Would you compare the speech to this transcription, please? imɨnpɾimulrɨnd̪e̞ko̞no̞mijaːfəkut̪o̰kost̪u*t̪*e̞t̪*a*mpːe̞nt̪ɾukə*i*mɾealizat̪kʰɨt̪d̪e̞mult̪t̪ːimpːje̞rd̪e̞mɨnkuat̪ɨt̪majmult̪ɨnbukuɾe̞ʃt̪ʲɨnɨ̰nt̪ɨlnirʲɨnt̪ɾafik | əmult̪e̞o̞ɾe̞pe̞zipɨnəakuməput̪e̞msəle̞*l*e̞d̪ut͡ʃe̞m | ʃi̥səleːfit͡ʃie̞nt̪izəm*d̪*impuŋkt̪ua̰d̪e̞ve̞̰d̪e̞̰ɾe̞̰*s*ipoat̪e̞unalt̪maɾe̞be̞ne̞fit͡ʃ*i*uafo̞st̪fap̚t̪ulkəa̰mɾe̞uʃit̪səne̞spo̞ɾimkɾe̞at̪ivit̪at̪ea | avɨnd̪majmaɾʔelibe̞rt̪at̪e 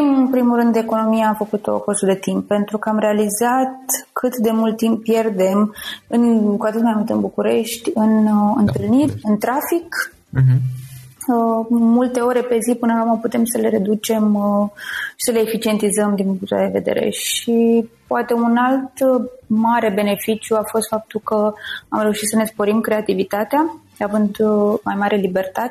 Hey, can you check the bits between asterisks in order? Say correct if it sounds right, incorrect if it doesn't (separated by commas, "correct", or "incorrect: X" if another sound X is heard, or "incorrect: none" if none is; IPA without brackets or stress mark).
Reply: incorrect: d̪, incorrect: i, incorrect: a, incorrect: ɾ, correct, incorrect: ʃ, incorrect: j